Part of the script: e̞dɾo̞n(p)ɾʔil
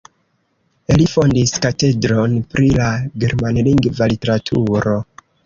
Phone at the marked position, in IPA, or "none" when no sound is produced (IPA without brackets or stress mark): p